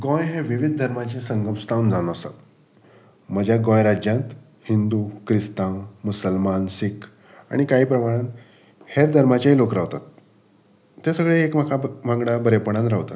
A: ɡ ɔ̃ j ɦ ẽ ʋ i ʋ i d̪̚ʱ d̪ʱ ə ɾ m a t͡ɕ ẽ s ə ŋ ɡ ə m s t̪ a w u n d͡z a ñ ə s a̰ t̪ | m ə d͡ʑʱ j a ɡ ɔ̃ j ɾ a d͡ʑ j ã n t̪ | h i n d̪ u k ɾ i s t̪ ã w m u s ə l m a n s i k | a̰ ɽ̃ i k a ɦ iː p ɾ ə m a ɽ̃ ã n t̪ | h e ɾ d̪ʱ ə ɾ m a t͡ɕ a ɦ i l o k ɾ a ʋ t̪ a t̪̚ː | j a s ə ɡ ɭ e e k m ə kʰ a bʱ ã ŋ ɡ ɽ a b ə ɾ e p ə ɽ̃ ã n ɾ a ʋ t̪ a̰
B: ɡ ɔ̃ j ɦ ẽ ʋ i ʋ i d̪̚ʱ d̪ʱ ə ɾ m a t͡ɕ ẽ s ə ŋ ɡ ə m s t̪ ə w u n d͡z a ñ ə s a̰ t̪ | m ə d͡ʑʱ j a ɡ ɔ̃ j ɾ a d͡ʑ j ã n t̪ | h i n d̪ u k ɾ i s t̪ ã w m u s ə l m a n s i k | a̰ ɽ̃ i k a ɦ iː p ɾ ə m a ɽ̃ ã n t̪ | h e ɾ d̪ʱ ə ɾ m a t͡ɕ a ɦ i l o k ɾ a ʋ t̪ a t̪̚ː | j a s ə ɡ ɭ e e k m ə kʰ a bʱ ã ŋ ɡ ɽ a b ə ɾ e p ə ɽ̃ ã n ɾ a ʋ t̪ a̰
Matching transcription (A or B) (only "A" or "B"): A